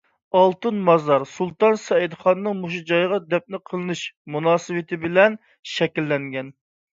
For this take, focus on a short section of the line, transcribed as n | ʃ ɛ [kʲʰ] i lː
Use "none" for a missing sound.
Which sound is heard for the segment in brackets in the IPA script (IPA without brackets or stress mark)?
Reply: kʲ